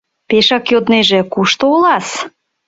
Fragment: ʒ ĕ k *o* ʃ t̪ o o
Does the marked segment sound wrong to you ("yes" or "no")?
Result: yes